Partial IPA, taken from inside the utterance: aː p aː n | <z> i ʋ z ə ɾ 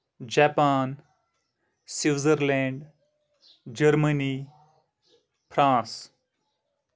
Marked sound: incorrect: s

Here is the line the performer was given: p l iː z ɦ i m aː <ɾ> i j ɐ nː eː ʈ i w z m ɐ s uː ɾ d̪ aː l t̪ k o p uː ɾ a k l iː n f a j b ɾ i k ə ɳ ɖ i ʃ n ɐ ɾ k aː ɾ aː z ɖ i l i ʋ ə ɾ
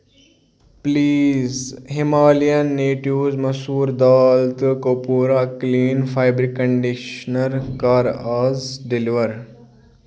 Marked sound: incorrect: l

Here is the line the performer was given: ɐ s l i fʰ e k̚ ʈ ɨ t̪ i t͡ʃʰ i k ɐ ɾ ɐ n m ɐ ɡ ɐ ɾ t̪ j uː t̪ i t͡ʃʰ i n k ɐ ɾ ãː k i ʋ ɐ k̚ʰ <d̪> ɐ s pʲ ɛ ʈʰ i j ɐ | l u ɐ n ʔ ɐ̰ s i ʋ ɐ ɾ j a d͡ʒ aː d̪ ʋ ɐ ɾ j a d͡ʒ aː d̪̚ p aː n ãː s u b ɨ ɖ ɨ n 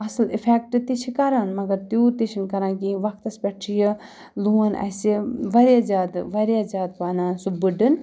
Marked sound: incorrect: t̪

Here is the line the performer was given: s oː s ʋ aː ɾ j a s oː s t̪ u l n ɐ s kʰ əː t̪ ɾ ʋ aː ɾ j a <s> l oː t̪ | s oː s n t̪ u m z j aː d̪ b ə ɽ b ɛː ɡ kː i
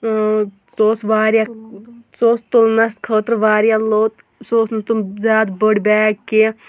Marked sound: incorrect: none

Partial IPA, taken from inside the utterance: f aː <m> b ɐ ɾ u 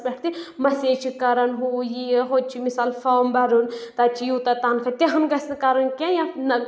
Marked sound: correct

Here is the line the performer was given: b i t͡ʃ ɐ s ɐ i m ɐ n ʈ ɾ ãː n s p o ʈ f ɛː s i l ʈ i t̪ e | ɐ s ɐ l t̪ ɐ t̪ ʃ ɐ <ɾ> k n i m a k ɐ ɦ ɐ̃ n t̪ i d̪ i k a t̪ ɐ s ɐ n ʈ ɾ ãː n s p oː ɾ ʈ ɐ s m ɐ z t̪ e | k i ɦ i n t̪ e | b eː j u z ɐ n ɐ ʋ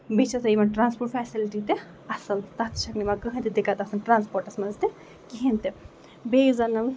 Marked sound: incorrect: none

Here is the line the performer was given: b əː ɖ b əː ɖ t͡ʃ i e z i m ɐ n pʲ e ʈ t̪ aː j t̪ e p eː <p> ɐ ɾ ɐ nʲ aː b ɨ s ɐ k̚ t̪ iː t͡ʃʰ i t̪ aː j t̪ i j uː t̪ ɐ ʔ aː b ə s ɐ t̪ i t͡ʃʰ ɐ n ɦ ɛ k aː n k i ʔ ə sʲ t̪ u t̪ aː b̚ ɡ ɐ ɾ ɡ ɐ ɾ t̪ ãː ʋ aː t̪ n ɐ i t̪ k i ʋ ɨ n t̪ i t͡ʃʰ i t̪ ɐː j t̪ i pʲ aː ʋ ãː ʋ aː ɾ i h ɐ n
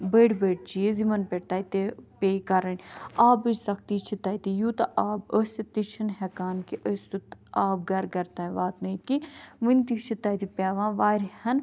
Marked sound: incorrect: k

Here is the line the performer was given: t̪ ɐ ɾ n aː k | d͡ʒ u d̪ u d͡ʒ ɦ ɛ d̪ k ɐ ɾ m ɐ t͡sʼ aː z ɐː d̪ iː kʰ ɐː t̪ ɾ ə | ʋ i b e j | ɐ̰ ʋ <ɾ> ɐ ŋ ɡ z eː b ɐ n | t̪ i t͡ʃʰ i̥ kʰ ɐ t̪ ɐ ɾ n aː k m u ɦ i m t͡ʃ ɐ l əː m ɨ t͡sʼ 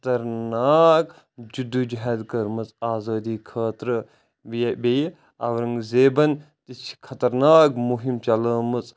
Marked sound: correct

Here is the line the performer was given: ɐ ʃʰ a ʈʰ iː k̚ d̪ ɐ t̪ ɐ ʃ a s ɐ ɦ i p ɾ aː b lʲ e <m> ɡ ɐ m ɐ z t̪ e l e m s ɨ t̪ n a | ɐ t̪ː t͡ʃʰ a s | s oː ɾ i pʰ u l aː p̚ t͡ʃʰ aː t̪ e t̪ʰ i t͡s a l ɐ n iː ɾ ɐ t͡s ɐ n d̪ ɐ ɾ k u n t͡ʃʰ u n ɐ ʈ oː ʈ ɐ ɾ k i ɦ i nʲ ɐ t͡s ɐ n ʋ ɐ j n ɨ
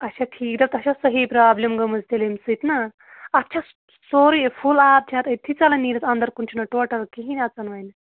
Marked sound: correct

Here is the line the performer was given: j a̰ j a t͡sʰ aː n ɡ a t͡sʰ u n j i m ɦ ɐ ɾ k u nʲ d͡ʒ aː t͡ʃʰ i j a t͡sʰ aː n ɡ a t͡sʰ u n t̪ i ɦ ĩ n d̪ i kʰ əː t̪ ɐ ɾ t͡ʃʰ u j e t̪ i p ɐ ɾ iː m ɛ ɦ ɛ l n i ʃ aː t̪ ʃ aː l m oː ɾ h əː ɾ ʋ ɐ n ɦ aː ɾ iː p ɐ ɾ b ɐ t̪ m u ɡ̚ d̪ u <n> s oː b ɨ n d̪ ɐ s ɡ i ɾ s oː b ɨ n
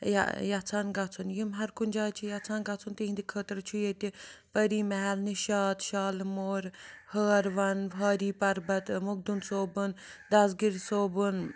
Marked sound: correct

